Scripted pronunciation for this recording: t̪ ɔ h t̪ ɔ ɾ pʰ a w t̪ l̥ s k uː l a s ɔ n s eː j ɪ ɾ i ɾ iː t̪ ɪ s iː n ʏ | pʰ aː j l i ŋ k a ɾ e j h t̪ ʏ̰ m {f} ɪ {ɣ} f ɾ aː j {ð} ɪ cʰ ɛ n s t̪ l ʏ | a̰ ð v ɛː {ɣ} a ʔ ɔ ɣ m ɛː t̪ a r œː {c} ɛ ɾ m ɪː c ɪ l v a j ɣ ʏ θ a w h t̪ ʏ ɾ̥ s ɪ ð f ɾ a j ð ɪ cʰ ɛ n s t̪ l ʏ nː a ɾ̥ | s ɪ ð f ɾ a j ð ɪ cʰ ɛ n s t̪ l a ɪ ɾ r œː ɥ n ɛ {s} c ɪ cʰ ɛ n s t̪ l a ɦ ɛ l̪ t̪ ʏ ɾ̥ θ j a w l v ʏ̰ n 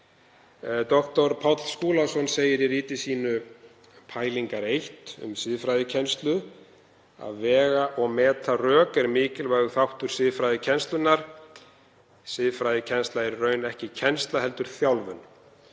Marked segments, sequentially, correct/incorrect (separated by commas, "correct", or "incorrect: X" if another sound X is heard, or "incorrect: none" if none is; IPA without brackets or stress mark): incorrect: s, incorrect: ð, correct, correct, incorrect: k, incorrect: h